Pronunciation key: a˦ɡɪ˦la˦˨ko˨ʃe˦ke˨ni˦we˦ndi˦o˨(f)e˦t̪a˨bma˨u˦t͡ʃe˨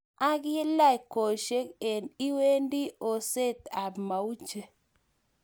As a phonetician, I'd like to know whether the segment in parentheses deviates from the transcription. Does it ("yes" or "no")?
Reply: yes